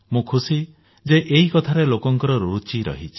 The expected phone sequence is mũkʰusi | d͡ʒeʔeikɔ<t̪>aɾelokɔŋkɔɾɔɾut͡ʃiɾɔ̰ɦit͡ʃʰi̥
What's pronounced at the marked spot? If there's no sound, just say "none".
t̪ʰ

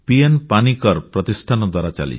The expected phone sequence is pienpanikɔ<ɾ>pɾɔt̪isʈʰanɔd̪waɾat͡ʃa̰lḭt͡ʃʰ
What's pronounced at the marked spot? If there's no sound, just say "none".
ɾ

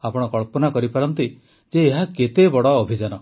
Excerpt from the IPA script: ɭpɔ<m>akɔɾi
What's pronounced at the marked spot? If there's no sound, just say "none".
n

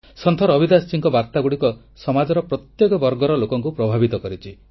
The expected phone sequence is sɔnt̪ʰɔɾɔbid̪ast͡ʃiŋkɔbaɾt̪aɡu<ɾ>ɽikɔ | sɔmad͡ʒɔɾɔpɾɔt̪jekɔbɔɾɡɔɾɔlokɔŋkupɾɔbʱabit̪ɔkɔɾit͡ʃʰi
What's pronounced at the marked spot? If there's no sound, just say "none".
none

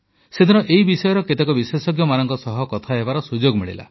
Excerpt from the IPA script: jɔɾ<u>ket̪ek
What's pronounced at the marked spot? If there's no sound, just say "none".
ɔ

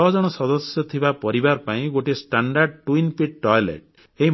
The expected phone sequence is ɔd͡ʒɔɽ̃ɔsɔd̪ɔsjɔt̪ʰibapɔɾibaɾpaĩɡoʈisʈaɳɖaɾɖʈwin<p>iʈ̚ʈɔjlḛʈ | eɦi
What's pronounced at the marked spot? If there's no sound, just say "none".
p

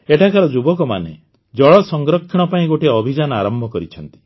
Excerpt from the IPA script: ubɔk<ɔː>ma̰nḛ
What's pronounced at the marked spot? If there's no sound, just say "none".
ɔ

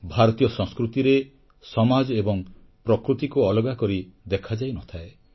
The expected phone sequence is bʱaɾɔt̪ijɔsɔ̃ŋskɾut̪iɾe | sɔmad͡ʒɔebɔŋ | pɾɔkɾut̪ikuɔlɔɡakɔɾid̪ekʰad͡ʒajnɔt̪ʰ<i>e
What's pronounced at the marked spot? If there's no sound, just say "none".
a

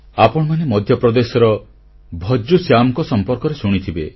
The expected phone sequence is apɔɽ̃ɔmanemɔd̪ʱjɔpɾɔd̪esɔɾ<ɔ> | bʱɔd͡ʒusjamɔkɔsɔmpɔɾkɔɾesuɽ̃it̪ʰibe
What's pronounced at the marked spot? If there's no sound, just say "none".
ɔ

